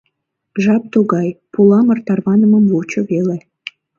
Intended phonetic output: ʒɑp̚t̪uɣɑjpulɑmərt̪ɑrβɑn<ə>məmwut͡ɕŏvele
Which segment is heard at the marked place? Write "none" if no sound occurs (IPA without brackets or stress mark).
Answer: ə